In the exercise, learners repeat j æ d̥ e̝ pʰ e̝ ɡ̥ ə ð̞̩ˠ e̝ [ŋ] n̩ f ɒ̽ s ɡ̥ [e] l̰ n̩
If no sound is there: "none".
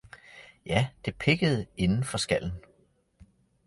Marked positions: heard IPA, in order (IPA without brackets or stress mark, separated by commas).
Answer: n, æ